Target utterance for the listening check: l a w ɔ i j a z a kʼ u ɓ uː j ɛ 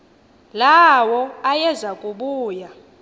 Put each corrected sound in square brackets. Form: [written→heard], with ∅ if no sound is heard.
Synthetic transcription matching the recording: l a w ɔ [i→a] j [a→ɛ] z a kʼ u ɓ uː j [ɛ→a]